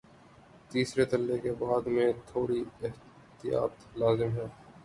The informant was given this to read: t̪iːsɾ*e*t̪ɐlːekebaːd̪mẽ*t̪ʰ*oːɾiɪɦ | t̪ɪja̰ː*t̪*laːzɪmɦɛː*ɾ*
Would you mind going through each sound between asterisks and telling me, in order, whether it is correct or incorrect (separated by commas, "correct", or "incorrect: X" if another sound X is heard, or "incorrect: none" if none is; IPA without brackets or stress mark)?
correct, correct, correct, incorrect: none